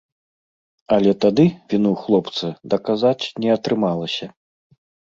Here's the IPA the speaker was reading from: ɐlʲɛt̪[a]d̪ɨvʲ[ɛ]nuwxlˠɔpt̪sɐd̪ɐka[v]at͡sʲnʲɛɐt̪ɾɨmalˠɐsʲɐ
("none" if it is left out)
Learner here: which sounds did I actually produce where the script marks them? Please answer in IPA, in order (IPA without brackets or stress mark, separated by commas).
a, i, z